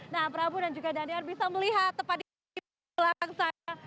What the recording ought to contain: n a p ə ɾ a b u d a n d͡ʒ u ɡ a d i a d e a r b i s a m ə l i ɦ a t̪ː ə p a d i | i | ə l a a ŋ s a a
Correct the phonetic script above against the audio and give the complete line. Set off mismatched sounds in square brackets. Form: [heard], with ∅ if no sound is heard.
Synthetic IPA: n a p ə ɾ a b u d a n d͡ʒ u ɡ a d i a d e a r b i s a m ə l i ɦ a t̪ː ə p a d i | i | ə l a a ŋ s a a